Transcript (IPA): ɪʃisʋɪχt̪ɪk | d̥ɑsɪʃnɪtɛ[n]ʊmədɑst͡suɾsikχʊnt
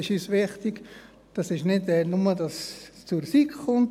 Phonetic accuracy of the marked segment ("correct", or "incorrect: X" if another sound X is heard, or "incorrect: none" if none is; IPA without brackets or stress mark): correct